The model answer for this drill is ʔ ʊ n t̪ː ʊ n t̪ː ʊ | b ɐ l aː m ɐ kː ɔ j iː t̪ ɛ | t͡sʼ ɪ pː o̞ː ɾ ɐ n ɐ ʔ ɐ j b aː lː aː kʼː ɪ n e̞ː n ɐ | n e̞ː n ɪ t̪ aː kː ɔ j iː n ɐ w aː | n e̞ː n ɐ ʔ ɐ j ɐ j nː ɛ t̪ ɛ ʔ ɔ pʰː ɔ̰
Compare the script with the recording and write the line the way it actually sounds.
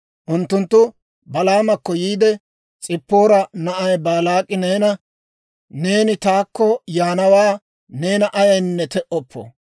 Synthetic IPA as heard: ʔ ʊ n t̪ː ʊ n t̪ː ʊ | b ɐ l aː m ɐ kː ɔ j iː d̪ ɛ | t͡sʼ ɪ pː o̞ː ɾ ɐ n ɐ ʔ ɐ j b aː l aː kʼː ɪ n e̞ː n ɐ | n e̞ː n ɪ t̪ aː kː ɔ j aː n ɐ w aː | n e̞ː n ɐ ʔ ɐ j ɐ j nː ɛ t̪ ɛ ʔ ɔ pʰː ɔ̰